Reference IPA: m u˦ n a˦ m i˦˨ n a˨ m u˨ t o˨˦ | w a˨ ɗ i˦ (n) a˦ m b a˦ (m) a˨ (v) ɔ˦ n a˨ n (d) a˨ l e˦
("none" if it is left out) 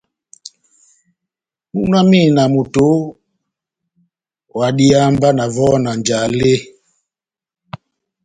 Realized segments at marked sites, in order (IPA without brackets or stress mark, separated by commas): none, n, v, d͡ʒ